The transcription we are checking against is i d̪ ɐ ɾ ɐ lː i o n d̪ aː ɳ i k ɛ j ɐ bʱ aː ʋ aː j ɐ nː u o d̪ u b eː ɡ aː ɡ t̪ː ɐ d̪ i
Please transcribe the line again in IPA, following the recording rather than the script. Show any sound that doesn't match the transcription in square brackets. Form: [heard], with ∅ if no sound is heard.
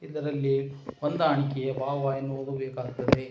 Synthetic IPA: i d̪ ɐ ɾ ɐ lː i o n d̪ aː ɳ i k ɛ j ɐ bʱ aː ʋ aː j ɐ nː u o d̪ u b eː [k] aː ɡ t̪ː ɐ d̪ [e]